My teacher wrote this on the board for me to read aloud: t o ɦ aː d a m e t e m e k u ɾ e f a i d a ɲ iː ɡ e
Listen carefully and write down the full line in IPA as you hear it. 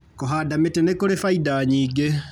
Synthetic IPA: k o ɦ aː d a m e t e n e k o ɾ e f a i d a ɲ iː ɡ e